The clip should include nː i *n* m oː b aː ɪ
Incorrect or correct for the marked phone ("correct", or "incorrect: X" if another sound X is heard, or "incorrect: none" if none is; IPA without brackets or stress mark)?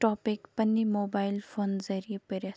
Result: incorrect: none